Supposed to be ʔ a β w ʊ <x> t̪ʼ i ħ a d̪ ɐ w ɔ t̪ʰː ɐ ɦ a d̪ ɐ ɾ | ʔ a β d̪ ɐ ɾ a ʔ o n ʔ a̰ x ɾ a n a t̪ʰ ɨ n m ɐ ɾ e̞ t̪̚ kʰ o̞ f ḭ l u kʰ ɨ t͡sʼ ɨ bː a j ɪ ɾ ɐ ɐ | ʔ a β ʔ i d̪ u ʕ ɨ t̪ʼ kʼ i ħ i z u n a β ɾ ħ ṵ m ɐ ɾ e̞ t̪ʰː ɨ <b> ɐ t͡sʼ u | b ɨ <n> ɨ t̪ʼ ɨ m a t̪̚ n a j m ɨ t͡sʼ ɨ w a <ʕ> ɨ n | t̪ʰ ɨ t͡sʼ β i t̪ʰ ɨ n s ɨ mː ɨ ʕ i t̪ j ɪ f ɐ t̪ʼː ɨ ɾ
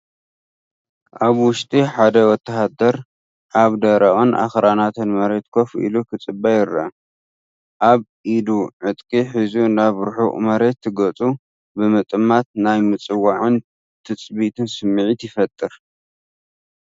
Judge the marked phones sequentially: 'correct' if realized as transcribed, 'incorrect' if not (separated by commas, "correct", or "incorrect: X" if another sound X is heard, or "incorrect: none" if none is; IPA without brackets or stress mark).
incorrect: ʃ, incorrect: ɡ, incorrect: m, correct